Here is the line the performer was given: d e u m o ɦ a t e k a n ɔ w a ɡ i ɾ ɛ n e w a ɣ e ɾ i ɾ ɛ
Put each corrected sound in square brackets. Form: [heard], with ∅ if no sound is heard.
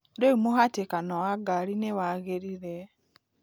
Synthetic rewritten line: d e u m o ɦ a t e k a n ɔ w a ɡ [a] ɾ [i] n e w a ɣ e ɾ i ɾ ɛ